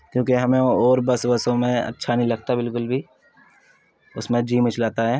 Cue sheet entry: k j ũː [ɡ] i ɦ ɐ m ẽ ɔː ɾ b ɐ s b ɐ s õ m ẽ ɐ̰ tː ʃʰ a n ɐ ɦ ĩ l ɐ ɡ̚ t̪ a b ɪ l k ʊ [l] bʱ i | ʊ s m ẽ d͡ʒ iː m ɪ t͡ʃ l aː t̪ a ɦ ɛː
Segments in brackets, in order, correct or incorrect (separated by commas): incorrect, correct